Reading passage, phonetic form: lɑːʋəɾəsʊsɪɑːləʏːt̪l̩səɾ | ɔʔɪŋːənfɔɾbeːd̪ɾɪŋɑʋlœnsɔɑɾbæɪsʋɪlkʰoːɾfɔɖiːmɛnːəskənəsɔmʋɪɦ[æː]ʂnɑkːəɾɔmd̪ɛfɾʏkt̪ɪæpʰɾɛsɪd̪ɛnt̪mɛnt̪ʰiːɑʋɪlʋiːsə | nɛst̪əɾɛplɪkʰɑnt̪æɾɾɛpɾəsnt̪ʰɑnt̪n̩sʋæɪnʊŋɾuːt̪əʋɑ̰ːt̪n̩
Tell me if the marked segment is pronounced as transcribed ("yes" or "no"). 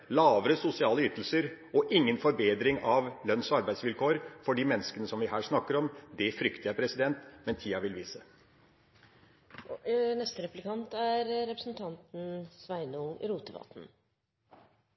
yes